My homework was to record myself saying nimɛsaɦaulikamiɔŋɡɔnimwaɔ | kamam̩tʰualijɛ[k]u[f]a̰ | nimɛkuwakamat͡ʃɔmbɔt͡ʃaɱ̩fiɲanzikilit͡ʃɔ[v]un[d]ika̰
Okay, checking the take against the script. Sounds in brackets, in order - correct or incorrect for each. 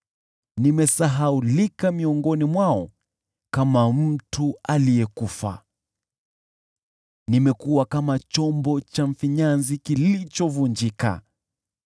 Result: correct, correct, correct, incorrect: d͡ʒ

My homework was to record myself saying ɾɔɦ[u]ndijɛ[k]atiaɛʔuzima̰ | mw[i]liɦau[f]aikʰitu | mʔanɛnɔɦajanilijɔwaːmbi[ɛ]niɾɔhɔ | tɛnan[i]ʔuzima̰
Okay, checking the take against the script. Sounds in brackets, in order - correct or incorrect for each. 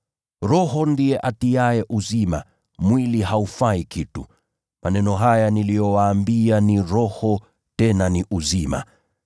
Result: incorrect: ɔ, incorrect: ʔ, correct, correct, incorrect: a, correct

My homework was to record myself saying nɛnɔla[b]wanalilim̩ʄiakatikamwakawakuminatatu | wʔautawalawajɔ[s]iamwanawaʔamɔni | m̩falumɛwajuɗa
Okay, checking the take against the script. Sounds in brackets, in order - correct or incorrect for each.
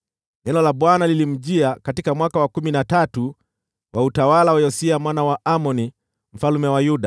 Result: incorrect: ɓ, correct

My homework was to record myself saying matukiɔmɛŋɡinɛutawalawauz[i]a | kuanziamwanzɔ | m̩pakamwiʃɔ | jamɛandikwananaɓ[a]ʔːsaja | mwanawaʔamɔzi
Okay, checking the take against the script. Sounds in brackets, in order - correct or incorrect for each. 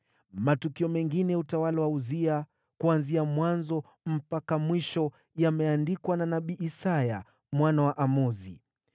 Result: correct, incorrect: i

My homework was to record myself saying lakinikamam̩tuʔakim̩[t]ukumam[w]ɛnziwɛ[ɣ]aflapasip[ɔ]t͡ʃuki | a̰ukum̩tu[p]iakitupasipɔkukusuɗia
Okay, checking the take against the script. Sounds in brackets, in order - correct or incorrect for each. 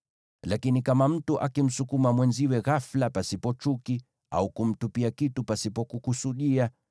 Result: incorrect: s, correct, correct, correct, correct

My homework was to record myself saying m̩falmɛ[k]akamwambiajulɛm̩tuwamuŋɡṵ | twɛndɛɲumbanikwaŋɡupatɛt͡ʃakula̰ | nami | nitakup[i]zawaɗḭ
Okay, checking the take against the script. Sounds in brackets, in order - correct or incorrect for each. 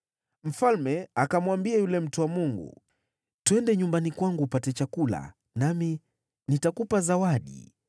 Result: incorrect: none, incorrect: a

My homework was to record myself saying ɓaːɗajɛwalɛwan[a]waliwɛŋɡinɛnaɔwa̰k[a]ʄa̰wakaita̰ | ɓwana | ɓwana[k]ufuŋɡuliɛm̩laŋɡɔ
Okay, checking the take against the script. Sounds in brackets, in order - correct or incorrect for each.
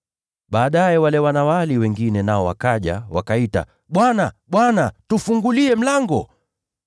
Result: correct, correct, incorrect: t

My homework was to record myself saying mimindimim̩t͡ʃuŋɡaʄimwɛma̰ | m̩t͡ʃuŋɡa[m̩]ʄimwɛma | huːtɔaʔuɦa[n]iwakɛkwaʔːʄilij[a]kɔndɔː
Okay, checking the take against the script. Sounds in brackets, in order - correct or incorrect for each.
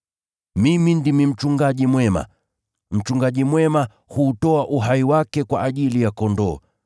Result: incorrect: none, incorrect: none, correct

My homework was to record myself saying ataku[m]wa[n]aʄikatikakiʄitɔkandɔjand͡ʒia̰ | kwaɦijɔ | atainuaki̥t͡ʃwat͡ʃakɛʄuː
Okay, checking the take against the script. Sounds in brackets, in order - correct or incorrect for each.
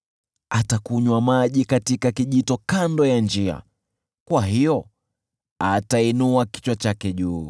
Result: incorrect: ɲ, incorrect: m

